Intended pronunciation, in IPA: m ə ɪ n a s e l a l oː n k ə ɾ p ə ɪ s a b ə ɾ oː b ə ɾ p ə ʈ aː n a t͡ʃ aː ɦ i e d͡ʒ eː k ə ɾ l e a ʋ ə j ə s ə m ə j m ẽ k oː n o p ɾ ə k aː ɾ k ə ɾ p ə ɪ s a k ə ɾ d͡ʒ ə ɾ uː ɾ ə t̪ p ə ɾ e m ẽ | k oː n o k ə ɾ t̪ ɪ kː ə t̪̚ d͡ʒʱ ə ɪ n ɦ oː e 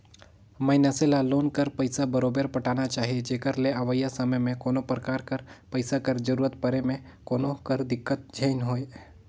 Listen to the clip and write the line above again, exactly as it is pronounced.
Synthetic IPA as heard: m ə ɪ n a s e l a l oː n k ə ɾ p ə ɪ s a b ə ɾ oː b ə ɾ p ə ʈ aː n a t͡ʃ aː ɦ i e d͡ʒ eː k ə ɾ l e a ʋ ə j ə s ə m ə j m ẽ k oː n o p ɾ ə k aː ɾ k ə ɾ p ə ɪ s a k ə ɾ d͡ʒ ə ɾ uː ɾ ə t̪ p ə ɾ e m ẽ | k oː n o k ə ɾ d̪ ɪ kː ə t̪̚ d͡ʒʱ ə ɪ n ɦ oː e